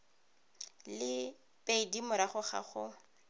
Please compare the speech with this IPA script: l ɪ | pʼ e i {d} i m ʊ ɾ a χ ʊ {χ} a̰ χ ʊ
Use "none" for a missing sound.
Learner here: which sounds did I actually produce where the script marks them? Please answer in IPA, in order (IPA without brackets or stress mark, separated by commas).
d, χ